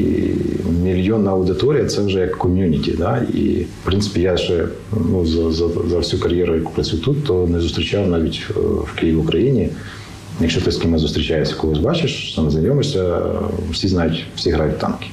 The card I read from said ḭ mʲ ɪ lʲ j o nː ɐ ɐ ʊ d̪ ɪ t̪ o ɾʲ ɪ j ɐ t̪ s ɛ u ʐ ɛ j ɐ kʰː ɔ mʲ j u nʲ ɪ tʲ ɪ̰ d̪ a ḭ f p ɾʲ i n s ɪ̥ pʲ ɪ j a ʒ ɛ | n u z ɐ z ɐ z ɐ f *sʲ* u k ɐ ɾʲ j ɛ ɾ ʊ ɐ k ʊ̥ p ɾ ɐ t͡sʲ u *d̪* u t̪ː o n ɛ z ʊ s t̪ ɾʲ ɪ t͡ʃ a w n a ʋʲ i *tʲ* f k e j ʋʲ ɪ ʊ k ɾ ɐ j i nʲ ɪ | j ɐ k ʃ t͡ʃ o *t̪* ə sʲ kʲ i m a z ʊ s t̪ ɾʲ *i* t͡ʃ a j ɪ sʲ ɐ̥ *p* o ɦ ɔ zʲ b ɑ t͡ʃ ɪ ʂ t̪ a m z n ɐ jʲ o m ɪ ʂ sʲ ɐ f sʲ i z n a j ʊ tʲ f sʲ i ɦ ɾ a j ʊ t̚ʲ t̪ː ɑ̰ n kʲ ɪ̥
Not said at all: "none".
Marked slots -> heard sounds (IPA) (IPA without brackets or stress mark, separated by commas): sʲ, t̪, tʲ, t̪, ɪ, k